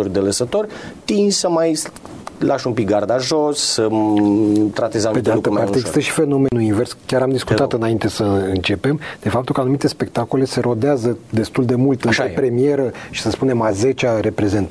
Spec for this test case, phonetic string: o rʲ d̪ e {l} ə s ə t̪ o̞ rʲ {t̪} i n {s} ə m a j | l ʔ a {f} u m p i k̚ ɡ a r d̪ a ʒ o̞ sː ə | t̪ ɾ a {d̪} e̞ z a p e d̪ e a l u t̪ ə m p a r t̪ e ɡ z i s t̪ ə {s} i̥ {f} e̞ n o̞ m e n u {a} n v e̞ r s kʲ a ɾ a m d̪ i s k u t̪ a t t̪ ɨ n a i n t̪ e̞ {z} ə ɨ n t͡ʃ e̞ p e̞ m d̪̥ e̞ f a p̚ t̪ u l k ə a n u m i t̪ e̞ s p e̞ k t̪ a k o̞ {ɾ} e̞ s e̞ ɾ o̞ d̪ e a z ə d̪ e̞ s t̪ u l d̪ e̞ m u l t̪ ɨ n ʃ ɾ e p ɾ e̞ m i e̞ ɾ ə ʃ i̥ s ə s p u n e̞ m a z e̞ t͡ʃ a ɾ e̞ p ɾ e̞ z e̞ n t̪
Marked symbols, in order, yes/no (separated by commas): yes, yes, yes, no, no, no, yes, no, no, no